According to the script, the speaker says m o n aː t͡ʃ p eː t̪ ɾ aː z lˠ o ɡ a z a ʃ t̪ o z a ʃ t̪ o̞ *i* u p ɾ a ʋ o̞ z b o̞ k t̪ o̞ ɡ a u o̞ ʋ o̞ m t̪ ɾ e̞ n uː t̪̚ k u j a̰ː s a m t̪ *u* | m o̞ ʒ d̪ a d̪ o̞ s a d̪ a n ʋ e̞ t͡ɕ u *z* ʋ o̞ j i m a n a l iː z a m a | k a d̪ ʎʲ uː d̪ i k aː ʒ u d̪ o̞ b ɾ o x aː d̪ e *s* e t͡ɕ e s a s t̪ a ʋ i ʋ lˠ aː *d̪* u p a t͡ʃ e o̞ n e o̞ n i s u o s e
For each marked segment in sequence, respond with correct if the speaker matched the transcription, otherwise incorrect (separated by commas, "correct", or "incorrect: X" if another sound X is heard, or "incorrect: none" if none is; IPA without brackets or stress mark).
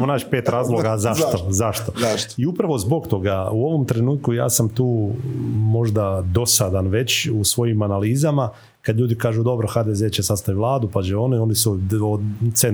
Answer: correct, incorrect: uː, incorrect: s, incorrect: z, correct